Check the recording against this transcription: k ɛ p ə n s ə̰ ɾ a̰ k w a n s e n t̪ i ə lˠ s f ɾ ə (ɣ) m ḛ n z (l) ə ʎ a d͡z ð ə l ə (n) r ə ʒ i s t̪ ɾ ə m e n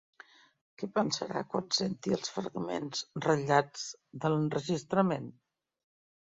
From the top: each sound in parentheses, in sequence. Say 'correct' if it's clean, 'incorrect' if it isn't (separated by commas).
correct, incorrect, correct